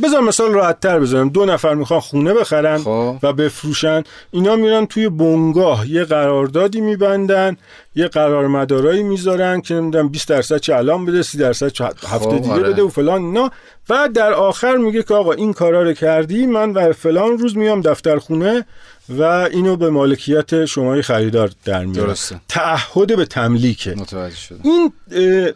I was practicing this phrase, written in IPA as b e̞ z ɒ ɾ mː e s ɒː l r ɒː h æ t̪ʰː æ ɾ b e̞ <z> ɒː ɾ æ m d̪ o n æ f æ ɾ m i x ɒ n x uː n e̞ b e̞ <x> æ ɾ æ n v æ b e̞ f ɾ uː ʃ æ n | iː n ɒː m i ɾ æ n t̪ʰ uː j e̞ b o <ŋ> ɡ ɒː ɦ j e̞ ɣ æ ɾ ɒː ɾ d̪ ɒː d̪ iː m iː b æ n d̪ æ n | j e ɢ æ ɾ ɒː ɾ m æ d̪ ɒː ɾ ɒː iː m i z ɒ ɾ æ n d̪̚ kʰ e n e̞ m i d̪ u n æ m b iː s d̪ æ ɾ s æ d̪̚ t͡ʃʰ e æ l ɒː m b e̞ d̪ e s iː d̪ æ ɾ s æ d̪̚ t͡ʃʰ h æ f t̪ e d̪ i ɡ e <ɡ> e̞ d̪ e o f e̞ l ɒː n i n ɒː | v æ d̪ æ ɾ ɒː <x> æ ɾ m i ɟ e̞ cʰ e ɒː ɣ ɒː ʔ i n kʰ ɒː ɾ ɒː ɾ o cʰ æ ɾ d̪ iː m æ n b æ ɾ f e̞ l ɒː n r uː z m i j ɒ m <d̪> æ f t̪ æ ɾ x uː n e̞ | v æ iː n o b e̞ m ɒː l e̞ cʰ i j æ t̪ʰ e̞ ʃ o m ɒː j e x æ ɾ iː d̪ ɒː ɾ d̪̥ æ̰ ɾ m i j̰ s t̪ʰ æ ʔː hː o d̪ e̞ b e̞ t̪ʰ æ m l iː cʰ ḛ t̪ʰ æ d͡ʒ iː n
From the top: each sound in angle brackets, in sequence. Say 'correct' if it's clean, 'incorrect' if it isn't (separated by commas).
correct, correct, correct, incorrect, correct, correct